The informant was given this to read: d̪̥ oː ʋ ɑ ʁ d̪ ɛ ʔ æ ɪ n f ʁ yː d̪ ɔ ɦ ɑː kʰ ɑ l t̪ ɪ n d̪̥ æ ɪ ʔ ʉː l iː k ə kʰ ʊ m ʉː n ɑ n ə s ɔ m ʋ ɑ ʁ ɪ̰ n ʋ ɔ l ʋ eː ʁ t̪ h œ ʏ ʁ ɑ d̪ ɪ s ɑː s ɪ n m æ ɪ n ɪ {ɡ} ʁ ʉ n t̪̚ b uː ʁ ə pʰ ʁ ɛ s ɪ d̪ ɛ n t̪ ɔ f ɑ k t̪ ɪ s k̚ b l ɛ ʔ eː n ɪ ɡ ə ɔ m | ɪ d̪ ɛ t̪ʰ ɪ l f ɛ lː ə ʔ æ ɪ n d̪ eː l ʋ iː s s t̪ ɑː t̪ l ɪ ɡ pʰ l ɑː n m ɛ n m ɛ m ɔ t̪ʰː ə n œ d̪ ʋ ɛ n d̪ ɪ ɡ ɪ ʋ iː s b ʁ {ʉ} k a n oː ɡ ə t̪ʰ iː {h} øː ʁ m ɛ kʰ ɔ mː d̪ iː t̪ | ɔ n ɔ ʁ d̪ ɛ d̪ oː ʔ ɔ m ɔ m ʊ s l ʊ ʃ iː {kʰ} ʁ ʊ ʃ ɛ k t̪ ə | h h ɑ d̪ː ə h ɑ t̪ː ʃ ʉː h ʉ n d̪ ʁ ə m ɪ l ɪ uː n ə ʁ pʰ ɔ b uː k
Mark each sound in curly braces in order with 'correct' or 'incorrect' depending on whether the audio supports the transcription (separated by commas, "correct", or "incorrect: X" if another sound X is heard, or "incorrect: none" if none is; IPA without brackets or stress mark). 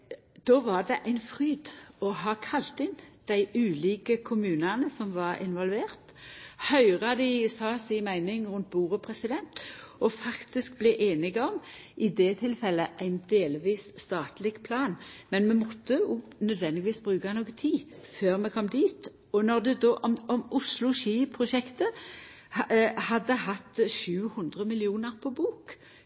incorrect: ŋ, incorrect: ʉː, incorrect: f, incorrect: pʰ